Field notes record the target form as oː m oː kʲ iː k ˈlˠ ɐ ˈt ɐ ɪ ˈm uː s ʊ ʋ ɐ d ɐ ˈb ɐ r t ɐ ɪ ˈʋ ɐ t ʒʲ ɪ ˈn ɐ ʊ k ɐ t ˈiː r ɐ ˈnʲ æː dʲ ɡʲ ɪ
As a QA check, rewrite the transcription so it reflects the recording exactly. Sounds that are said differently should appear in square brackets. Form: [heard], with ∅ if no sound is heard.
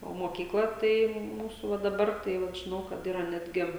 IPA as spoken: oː m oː kʲ iː k ˈlˠ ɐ ˈt ɐ ɪ ˈm uː s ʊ ʋ ɐ d ɐ ˈb ɐ r t ɐ ɪ ˈʋ ɐ t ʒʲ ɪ ˈn ɐ ʊ k ɐ t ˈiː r ɐ ˈnʲ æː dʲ ɡʲ ɪ